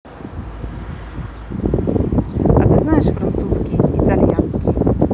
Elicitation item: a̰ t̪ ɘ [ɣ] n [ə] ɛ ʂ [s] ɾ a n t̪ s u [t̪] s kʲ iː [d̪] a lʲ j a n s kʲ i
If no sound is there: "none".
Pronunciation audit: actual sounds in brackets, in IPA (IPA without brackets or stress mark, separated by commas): z, a, f, none, t̪